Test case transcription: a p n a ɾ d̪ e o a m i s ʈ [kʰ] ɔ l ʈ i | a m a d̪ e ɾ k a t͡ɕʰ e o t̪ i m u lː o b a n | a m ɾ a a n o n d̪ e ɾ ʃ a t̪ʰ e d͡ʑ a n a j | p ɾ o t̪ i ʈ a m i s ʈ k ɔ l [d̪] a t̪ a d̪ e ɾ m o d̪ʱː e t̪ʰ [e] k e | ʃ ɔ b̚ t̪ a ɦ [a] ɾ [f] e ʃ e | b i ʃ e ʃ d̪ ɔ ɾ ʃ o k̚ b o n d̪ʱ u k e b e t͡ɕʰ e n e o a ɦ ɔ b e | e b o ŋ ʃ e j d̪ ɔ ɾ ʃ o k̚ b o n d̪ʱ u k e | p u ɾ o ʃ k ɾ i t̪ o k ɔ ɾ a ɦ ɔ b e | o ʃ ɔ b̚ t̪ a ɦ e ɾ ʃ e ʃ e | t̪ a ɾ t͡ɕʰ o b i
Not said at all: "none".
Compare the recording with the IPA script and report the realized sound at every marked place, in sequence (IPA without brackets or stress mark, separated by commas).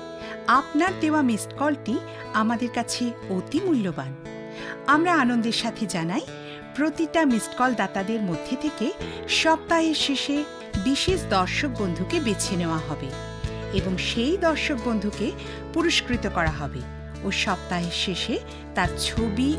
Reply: k, d̪, e, e, ʃ